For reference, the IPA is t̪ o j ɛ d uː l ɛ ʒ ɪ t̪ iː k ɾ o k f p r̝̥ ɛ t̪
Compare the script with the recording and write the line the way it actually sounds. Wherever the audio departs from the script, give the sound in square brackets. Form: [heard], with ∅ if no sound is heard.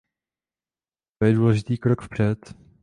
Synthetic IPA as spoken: t̪ o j ɛ d uː l ɛ ʒ ɪ t̪ iː k ɾ o k f p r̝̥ ɛ t̪